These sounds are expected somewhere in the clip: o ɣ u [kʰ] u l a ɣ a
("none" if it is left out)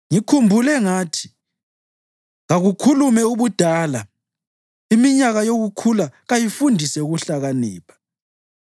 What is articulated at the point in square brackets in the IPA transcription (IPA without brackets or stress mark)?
kʰ